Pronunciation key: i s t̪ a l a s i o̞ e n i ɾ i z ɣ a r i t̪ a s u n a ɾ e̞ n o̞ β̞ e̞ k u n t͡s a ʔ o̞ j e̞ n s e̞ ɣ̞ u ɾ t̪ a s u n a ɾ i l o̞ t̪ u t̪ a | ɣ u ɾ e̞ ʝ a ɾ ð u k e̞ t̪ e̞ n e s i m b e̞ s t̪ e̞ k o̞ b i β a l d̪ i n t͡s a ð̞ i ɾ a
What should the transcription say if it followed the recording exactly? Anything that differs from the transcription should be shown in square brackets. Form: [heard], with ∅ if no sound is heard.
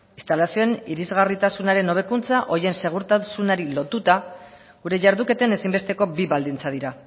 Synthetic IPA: i s t̪ a l a s i o̞ e n i ɾ i z ɣ a r i t̪ a s u n a ɾ e̞ n o̞ β̞ e̞ k u n t͡s a ʔ o̞ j e̞ n s e̞ ɣ̞ u ɾ t̪ a s u n a ɾ i l o̞ t̪ u t̪ a | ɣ u ɾ e̞ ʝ a ɾ ð u k e̞ t̪ e̞ n e s i m b e̞ s t̪ e̞ k o̞ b i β a l d̪ i n t͡s a ð̞ i ɾ a